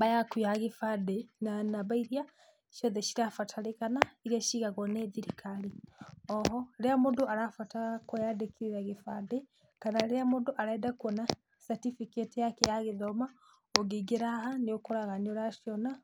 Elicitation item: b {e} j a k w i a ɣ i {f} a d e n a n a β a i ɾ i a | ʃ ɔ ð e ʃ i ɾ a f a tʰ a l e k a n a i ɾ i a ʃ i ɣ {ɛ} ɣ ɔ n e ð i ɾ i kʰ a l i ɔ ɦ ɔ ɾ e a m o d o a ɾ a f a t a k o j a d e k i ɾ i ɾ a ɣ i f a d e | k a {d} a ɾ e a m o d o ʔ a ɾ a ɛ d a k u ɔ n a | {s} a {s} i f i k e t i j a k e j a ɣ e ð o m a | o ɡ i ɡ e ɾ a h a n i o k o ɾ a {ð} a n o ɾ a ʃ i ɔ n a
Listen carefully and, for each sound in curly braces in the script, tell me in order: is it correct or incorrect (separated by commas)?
incorrect, correct, incorrect, incorrect, correct, incorrect, incorrect